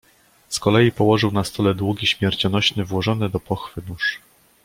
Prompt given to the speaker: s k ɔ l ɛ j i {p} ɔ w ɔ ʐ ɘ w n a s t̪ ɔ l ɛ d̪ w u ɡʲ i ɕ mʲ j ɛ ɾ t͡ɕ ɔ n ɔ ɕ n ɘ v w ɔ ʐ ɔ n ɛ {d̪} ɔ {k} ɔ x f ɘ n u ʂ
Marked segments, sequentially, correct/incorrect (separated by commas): correct, correct, incorrect